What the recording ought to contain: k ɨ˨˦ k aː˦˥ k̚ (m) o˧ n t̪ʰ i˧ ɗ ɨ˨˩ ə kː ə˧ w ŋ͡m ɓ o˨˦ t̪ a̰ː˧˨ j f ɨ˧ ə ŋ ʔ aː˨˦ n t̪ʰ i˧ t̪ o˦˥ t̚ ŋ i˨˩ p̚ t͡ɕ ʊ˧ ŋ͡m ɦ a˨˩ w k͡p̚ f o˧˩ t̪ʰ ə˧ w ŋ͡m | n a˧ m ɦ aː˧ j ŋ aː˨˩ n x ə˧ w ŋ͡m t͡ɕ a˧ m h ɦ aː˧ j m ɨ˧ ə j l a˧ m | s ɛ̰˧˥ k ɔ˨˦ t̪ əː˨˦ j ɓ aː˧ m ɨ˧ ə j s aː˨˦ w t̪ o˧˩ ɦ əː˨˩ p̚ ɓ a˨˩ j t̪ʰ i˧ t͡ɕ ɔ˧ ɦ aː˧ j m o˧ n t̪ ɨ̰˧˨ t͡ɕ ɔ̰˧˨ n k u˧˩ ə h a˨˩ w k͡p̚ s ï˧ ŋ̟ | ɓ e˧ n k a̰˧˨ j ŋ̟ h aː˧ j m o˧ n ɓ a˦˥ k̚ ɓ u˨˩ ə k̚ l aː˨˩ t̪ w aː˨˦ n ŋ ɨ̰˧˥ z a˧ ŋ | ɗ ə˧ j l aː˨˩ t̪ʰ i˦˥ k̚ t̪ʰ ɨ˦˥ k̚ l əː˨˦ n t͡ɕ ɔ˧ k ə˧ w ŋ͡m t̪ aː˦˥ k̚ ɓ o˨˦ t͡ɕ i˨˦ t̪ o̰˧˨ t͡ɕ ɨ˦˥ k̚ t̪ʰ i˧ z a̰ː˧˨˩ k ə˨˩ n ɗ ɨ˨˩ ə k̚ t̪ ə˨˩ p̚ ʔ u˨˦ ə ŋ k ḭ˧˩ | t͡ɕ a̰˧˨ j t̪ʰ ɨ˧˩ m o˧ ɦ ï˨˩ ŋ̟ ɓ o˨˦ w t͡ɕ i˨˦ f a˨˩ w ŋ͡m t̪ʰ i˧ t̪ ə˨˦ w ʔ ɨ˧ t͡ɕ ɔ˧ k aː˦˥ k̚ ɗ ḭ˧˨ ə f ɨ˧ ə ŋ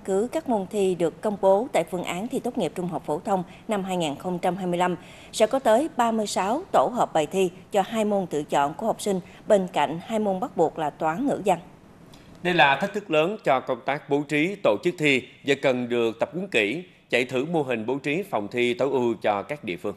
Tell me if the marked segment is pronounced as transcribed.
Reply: yes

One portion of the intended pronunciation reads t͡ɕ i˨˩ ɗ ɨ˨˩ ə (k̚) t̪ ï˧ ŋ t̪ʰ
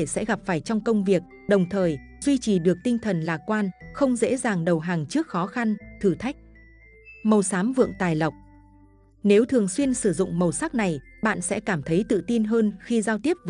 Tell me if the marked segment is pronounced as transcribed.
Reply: yes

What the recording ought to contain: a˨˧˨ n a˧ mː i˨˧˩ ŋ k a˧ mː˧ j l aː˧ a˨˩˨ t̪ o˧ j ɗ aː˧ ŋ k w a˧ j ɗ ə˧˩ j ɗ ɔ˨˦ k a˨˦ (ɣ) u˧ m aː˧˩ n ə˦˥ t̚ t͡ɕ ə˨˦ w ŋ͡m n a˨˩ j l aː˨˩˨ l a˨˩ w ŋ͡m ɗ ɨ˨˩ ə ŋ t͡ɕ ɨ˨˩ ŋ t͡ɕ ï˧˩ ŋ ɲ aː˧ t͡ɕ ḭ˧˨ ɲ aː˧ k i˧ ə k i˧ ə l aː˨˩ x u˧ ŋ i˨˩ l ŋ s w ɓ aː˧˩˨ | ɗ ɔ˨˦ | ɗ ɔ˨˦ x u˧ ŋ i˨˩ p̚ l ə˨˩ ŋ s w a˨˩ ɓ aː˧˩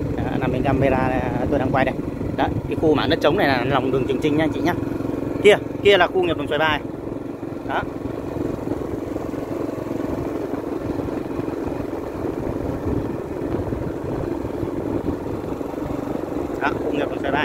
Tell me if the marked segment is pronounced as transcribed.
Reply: no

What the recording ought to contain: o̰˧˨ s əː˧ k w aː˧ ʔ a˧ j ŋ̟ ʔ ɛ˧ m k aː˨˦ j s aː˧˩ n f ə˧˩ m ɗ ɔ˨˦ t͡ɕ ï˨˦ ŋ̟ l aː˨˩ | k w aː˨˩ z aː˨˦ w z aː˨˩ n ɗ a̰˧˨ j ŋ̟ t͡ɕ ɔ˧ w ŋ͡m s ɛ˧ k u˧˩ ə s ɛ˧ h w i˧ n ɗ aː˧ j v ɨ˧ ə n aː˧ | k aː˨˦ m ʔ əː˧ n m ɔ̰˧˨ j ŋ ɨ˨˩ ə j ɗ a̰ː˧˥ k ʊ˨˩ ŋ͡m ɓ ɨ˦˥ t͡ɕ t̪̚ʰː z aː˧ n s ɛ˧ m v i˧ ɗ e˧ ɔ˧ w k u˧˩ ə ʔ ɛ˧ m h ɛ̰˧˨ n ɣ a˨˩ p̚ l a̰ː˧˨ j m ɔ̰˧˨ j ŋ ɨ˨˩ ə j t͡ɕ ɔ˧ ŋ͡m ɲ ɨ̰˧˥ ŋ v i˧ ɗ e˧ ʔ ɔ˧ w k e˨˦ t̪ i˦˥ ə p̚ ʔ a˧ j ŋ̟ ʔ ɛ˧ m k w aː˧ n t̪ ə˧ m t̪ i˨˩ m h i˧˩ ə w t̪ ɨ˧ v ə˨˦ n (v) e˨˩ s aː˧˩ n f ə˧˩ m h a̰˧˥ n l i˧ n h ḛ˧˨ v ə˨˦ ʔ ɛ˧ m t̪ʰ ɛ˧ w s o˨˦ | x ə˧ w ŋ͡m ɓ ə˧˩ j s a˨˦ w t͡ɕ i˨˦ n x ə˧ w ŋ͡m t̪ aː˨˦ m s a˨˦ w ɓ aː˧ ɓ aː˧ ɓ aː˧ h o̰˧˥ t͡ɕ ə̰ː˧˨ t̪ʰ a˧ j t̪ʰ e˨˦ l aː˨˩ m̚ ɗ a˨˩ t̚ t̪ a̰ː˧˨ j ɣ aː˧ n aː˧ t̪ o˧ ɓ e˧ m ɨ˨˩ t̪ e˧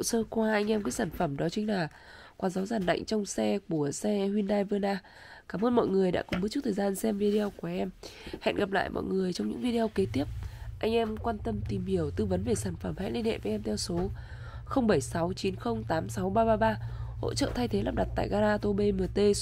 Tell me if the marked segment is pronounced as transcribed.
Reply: yes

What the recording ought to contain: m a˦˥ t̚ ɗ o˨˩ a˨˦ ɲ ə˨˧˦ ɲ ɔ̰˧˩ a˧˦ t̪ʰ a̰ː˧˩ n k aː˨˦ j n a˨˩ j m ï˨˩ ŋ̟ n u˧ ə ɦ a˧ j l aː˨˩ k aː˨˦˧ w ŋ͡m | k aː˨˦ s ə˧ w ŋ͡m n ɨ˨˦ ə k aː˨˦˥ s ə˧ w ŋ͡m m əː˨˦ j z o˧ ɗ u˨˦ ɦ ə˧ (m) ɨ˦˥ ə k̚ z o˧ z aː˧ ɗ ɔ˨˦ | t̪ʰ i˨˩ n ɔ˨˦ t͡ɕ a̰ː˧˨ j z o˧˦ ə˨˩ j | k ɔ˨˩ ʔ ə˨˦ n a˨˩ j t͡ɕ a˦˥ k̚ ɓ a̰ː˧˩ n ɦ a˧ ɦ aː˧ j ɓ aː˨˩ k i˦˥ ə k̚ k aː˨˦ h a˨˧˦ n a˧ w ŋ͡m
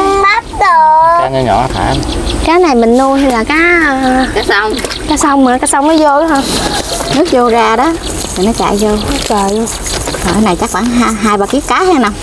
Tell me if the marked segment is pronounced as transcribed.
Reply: no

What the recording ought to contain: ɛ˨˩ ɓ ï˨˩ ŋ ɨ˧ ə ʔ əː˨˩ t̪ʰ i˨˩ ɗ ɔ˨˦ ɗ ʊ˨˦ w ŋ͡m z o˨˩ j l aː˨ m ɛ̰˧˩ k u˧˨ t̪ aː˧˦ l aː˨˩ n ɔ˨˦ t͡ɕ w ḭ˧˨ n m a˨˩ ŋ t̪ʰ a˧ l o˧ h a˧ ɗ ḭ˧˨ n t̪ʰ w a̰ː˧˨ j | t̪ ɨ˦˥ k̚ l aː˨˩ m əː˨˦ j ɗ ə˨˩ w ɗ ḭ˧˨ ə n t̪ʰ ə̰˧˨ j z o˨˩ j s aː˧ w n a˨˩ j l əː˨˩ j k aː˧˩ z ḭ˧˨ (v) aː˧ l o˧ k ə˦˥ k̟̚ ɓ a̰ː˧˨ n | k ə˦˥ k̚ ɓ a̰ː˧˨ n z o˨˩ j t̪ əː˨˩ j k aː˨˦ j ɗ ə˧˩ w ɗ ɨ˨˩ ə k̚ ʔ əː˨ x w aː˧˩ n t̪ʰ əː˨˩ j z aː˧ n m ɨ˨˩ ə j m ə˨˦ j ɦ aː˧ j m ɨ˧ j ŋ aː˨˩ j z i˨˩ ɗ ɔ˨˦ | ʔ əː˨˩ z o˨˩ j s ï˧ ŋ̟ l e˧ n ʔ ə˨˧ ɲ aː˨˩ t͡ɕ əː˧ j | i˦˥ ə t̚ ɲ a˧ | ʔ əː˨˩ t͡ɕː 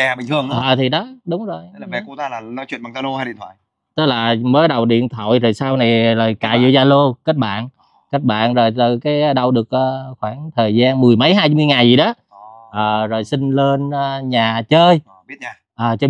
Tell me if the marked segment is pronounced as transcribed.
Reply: no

